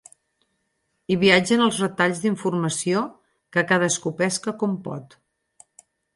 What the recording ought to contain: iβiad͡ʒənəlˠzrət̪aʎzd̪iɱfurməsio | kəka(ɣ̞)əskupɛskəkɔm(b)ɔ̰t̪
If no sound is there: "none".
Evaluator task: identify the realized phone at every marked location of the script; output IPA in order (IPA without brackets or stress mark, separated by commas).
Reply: ð̞, p